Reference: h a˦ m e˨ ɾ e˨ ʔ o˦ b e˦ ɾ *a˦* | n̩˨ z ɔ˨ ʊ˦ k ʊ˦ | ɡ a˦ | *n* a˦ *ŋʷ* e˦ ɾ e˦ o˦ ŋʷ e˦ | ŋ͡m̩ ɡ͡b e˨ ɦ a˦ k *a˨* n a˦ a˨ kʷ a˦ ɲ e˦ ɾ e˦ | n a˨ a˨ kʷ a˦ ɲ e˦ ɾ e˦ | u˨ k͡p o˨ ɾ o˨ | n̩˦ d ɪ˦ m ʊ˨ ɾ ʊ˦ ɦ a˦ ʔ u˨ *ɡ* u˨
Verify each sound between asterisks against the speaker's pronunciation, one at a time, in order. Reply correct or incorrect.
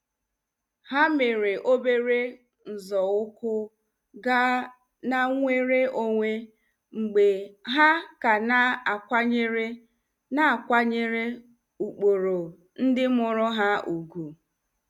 incorrect, correct, correct, correct, correct

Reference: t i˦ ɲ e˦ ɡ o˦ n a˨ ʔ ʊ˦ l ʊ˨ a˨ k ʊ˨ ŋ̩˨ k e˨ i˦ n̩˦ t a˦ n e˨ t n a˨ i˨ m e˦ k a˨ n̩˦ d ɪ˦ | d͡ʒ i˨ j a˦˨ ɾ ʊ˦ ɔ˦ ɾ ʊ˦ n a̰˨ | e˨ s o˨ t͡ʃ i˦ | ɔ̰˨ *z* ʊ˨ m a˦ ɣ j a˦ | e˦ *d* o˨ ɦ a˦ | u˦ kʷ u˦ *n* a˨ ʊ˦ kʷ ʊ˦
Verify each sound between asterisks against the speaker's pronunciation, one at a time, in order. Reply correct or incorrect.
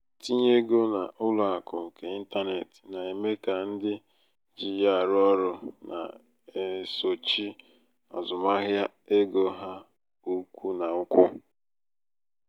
correct, incorrect, correct

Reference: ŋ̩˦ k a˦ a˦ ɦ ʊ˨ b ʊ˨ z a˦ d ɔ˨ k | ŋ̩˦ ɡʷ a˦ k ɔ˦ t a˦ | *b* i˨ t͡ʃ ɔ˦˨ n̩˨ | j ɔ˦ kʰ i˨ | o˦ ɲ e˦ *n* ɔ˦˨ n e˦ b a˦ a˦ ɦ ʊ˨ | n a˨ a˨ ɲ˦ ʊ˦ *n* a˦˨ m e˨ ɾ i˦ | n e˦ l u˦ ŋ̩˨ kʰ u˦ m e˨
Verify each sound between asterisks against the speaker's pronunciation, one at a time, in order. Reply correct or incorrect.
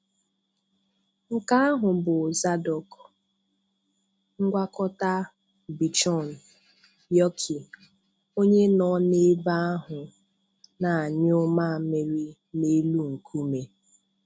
correct, correct, incorrect

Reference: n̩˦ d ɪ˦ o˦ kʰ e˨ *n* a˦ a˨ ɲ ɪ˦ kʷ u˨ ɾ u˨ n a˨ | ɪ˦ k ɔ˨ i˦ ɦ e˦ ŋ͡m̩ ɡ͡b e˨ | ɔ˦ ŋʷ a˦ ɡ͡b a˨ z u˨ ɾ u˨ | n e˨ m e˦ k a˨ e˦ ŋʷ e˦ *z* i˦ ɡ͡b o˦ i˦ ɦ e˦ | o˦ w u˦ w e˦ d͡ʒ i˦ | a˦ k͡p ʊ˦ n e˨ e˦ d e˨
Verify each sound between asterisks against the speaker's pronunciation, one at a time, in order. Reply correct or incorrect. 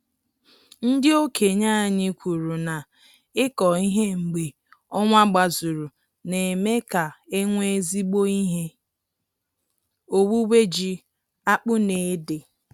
incorrect, correct

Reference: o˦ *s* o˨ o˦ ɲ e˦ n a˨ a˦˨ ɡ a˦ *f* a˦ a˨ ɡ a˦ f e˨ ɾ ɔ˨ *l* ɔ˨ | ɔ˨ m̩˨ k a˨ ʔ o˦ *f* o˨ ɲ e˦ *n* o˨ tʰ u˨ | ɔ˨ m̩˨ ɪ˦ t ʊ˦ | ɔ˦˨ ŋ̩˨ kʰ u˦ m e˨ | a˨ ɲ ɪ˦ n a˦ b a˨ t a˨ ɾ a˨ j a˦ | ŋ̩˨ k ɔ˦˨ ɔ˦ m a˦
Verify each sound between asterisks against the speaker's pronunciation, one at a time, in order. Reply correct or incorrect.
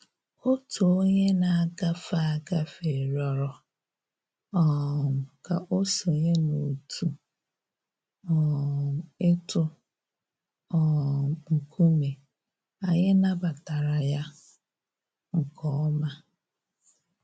incorrect, correct, incorrect, incorrect, correct

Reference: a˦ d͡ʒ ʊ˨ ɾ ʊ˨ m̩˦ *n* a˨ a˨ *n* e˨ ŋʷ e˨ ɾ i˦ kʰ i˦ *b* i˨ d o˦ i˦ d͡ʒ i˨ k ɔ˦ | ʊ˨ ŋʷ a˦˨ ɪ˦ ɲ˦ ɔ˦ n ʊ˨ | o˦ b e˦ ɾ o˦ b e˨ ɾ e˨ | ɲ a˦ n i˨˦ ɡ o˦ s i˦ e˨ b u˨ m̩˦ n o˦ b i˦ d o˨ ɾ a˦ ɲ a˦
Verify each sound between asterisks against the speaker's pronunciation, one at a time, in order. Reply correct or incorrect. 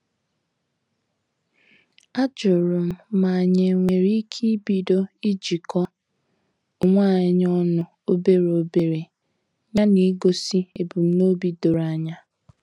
incorrect, incorrect, correct

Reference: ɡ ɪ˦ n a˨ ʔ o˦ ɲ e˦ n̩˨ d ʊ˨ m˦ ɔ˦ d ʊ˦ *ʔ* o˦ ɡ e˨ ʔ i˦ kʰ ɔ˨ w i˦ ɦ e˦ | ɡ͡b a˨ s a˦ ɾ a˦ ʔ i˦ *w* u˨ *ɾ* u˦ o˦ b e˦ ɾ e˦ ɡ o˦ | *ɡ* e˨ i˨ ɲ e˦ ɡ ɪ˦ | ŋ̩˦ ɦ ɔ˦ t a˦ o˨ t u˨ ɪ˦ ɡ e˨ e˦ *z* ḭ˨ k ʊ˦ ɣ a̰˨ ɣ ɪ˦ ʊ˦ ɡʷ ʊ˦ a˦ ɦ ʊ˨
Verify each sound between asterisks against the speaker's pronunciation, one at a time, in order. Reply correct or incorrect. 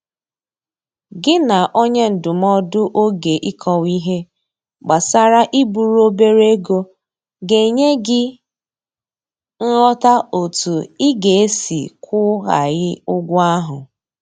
correct, incorrect, correct, correct, incorrect

